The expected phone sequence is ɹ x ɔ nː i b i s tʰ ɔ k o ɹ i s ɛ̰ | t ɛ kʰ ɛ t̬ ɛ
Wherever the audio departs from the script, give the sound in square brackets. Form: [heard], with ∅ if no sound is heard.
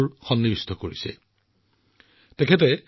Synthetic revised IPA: ɹ x ɔ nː i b i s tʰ ɔ k o ɹ i s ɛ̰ | t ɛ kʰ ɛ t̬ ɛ